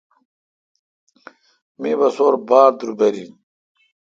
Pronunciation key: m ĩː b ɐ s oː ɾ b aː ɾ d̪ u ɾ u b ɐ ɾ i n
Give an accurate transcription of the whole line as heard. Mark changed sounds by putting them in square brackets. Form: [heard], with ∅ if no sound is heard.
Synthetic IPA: m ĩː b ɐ s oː ɾ b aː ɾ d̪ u ɾ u b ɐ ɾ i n